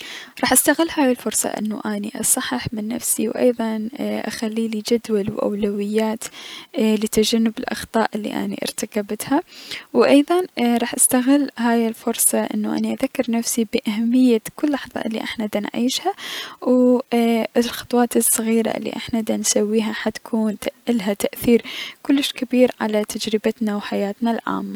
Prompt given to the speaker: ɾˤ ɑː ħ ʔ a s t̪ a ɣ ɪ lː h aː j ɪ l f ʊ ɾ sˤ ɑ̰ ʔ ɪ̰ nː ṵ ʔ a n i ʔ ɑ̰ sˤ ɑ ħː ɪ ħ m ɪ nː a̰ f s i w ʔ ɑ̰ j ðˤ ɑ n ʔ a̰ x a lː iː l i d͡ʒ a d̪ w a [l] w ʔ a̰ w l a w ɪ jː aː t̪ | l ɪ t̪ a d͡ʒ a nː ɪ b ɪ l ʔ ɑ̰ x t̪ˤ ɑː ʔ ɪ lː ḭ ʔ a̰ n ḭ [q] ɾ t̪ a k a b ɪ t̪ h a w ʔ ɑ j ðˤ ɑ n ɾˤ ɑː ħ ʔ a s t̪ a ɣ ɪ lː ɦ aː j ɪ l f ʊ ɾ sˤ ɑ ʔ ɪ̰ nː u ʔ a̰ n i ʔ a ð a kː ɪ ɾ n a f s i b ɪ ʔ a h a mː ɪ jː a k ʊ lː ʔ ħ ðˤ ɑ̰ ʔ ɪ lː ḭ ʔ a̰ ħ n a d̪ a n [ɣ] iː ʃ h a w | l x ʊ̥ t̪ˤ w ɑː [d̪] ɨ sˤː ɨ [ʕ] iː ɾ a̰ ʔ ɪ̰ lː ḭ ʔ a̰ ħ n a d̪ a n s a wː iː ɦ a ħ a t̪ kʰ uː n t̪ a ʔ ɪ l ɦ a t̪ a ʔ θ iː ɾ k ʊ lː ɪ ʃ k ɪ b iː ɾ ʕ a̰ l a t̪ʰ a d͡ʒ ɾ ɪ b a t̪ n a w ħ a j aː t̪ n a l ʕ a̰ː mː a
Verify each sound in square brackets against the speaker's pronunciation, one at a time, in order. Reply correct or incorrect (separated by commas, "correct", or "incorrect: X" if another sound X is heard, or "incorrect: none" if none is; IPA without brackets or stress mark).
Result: correct, incorrect: ʔ, incorrect: ʕ, incorrect: t̪, incorrect: ɣ